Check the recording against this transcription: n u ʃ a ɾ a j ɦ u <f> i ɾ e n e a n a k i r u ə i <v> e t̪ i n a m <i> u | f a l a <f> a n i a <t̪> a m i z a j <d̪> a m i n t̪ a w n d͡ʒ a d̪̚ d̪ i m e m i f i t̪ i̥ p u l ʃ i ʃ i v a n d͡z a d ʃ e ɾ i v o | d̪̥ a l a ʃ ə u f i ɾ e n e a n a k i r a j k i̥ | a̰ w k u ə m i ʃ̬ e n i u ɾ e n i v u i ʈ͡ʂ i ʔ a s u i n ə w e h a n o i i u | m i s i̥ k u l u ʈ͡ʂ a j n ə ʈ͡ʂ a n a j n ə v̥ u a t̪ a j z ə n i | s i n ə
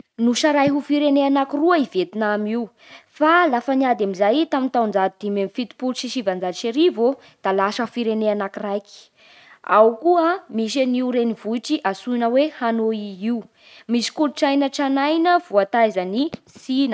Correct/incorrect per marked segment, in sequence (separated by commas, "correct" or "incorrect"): correct, correct, correct, correct, incorrect, incorrect